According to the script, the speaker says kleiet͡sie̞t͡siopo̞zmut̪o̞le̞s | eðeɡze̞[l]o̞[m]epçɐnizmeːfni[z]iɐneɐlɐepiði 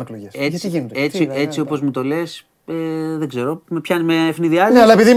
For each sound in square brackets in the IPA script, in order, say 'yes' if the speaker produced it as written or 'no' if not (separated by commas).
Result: no, yes, no